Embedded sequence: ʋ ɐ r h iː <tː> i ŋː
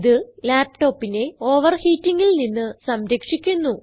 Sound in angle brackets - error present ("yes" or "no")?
no